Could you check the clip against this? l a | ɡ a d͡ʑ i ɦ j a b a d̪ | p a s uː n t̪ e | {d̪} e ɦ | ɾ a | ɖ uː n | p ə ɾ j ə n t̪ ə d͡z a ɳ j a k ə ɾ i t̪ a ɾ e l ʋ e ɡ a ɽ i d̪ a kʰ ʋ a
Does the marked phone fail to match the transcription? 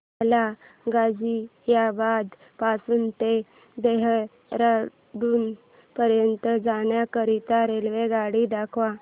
no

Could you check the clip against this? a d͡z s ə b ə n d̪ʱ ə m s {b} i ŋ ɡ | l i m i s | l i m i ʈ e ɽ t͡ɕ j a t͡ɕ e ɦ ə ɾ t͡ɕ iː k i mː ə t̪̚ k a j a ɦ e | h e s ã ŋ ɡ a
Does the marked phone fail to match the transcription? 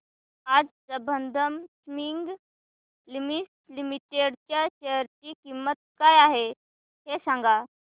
yes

